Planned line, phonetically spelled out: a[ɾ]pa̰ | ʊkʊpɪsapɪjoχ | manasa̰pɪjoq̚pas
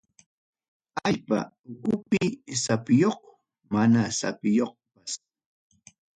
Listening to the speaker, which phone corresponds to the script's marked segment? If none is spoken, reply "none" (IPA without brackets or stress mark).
ʎ